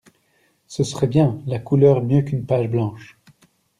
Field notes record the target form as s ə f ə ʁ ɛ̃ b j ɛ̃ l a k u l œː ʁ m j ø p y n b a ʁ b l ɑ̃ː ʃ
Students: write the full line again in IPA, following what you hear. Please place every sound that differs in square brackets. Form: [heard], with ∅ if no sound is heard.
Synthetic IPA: s ə [s] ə ʁ [ɛ] b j ɛ̃ l a k u l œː ʁ m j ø [k] y n [p] a [ʒ] b l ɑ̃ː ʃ